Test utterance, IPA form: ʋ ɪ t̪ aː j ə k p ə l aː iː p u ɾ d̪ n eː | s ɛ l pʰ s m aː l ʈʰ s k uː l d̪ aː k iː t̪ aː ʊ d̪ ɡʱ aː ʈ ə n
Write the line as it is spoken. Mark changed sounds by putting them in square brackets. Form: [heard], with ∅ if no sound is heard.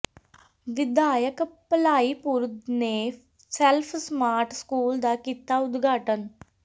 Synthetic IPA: ʋ ɪ [d̪] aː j ə k p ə l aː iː p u ɾ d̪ n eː | s ɛ l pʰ s m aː [ɾ] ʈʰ s k uː l d̪ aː k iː t̪ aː ʊ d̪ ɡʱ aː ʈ ə n